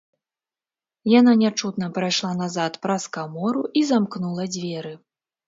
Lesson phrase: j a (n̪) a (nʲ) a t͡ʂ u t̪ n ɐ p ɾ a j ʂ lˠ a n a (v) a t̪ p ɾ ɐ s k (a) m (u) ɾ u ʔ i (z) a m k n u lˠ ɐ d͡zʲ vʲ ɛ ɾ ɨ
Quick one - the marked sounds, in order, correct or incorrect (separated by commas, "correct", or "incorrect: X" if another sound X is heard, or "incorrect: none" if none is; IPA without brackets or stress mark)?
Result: correct, correct, incorrect: z, correct, incorrect: ɔ, correct